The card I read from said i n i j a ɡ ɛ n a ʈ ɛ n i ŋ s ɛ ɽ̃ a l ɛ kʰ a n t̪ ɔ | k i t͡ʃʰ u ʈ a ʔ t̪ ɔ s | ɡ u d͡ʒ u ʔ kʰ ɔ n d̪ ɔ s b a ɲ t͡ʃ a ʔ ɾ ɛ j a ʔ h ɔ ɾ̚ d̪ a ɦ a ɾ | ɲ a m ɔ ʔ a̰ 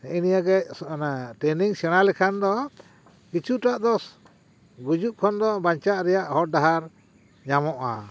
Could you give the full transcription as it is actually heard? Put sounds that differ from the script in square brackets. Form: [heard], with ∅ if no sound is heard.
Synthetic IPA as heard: i n i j a ɡ ɛ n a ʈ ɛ n i ŋ s ɛ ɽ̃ a l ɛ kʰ a n [d̪] ɔ | k i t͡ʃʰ u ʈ a ʔ [d̪] ɔ s | ɡ u d͡ʒ u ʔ kʰ ɔ n d̪ ɔ [∅] b a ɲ t͡ʃ a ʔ ɾ ɛ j a ʔ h ɔ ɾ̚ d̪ a ɦ a ɾ | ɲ a m ɔ ʔ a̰